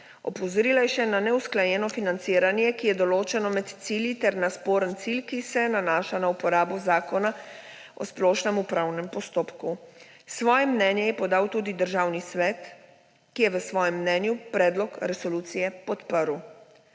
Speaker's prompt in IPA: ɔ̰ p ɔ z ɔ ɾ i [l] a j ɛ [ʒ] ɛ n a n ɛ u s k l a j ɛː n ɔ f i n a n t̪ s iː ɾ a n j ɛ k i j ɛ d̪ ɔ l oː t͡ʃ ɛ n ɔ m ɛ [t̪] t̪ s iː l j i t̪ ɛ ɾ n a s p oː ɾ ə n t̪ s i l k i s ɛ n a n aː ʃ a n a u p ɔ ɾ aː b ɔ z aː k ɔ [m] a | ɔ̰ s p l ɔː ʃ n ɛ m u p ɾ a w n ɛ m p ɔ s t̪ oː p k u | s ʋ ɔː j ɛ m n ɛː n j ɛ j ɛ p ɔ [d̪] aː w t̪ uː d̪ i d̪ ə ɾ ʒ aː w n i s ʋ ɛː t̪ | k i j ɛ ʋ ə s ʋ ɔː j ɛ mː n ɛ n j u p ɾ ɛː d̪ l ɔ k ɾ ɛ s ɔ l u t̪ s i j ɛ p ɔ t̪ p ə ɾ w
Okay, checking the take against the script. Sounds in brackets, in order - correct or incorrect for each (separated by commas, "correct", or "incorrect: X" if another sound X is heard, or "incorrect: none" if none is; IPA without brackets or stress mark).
correct, incorrect: ʃ, correct, incorrect: n, correct